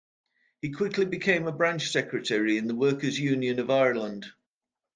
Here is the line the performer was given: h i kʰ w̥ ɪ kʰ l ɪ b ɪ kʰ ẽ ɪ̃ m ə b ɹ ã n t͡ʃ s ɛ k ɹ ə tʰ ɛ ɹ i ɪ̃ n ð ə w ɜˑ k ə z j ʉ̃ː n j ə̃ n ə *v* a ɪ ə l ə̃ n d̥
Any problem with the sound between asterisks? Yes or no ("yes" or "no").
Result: no